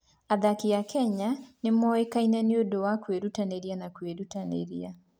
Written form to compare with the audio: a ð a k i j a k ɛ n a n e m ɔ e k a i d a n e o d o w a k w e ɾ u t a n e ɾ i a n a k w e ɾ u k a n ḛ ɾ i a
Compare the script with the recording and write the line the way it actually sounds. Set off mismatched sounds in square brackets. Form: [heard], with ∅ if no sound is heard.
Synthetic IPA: a ð a k i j a k ɛ [ɲ] a n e m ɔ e k a i [n] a n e o d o w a k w e ɾ u t a n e ɾ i a n a k w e ɾ u [t] a n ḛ ɾ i a